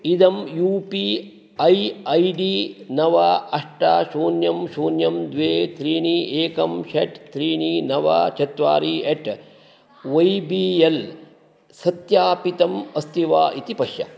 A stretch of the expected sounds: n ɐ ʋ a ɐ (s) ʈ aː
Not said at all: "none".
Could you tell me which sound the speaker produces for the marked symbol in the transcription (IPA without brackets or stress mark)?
ʂ